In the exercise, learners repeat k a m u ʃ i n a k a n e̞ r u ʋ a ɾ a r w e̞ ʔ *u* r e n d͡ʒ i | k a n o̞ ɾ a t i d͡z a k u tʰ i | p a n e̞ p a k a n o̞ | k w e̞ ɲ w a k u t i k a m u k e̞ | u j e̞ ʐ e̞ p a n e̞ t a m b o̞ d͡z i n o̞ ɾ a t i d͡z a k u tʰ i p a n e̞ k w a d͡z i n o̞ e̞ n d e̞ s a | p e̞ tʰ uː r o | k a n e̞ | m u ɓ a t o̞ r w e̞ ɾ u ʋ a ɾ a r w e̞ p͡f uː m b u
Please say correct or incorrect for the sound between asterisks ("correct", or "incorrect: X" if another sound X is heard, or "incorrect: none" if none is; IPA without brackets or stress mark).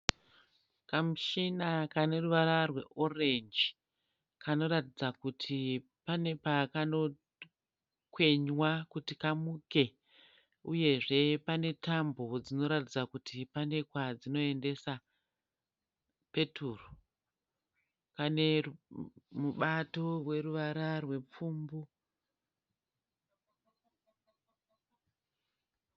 incorrect: o